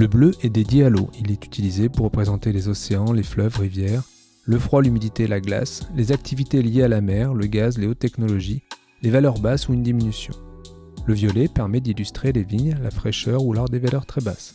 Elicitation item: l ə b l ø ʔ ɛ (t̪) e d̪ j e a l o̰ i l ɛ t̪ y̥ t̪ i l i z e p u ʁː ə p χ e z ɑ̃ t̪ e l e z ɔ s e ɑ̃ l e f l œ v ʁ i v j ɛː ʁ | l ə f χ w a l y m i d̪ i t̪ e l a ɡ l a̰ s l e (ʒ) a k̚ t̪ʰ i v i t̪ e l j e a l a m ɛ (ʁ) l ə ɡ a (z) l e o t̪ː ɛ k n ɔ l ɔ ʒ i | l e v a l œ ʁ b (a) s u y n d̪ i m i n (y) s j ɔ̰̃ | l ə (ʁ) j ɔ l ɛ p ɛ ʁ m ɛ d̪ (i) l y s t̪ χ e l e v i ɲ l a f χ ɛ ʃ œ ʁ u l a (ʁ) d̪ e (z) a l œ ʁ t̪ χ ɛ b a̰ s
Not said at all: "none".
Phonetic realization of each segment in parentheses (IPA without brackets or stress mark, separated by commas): d̪, z, ʁ, z, a, y, v, i, ʁ, v